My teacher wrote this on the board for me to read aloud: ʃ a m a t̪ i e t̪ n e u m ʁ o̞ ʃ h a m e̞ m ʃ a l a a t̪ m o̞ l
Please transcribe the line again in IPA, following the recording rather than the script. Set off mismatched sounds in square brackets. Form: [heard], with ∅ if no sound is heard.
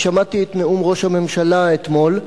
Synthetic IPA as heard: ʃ a m a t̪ i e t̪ n e u m ʁ o̞ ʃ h a m e̞ m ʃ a l a [e] t̪ m o̞ l